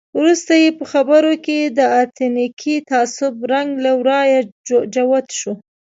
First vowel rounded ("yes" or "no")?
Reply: yes